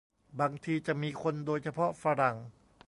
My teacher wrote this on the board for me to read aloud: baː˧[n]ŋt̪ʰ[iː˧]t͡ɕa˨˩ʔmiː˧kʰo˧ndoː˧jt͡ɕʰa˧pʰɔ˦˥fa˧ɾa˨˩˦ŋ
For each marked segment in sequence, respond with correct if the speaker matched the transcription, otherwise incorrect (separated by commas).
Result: incorrect, correct